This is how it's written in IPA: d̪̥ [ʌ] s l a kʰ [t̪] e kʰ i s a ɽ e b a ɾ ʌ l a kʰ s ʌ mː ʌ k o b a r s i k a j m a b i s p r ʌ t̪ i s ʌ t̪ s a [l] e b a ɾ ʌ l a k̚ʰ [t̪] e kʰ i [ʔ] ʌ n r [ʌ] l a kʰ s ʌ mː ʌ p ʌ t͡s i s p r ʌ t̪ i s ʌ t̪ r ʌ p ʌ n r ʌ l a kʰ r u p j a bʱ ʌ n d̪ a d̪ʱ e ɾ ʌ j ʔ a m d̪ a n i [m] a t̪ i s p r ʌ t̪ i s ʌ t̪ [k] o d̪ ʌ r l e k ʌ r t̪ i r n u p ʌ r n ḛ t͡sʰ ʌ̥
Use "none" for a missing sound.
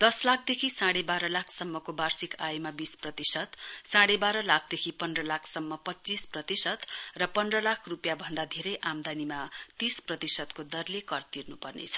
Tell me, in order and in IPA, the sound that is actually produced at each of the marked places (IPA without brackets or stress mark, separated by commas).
ʌ, d̪, ɽ, d̪, p, ʌ, m, k